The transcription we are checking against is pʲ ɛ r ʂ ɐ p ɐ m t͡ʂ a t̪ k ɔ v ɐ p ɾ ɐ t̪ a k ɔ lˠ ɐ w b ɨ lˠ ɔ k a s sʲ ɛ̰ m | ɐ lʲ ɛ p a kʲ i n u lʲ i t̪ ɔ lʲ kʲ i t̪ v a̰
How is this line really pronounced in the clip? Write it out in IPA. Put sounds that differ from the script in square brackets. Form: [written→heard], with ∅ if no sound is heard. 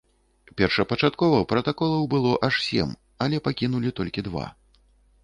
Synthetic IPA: pʲ ɛ r ʂ ɐ p ɐ [m→∅] t͡ʂ a t̪ k ɔ v ɐ p ɾ ɐ t̪ a k ɔ lˠ ɐ w b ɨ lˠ ɔ [k→ʔ] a [s→ʂ] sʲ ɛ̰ m | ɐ lʲ ɛ p a kʲ i n u lʲ i t̪ ɔ lʲ kʲ i [t̪→d̪] v a̰